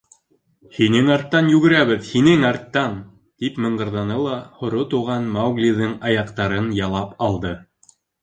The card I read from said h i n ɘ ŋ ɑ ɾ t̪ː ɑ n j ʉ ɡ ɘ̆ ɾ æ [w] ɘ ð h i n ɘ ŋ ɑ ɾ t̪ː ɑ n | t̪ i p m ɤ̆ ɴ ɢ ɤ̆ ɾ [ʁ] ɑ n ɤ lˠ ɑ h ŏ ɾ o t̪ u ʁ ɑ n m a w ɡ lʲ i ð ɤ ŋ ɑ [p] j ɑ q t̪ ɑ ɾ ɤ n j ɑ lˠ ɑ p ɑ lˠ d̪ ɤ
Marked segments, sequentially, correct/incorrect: incorrect: β, incorrect: ð, incorrect: none

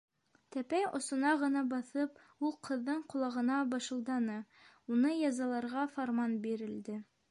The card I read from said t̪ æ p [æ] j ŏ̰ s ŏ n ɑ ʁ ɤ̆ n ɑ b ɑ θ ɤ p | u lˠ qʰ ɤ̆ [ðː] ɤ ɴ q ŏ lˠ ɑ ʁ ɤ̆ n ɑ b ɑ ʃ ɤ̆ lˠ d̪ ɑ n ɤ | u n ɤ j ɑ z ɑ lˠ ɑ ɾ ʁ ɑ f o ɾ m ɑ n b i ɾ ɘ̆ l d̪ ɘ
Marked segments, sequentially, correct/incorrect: correct, correct

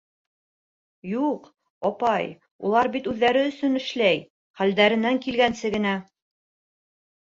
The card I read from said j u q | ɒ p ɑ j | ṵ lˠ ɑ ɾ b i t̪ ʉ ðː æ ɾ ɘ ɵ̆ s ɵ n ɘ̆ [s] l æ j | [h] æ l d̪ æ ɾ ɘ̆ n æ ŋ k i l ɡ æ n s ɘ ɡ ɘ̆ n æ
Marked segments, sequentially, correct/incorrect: incorrect: ʃ, incorrect: χ

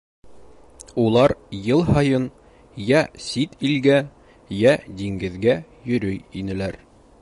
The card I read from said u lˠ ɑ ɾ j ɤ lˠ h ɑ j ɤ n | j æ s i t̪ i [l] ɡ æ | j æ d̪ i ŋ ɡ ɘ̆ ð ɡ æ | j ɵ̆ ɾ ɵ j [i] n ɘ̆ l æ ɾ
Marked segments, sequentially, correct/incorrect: correct, correct

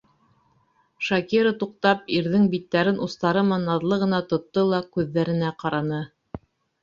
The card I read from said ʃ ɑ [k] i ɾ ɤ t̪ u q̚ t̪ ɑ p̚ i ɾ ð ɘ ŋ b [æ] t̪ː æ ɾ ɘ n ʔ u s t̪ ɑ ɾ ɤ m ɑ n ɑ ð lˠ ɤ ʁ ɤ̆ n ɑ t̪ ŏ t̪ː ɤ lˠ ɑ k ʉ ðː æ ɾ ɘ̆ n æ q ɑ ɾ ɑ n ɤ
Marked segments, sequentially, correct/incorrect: correct, incorrect: i

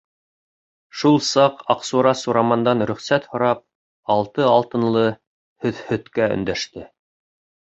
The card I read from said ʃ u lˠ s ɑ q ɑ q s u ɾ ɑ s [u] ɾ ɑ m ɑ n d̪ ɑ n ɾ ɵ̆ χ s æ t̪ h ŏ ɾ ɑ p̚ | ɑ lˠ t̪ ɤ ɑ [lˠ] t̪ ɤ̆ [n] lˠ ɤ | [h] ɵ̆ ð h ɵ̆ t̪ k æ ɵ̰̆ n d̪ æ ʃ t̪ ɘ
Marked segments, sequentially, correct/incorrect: correct, correct, correct, correct

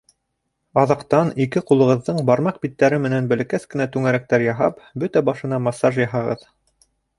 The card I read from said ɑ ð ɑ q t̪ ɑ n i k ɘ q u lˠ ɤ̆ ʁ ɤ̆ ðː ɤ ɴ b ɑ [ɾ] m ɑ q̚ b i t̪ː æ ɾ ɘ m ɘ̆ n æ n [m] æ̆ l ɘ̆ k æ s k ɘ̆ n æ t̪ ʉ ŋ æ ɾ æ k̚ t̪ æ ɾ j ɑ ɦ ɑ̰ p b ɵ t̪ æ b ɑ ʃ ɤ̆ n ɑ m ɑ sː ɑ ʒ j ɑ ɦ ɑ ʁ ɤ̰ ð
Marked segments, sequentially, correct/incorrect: correct, incorrect: b

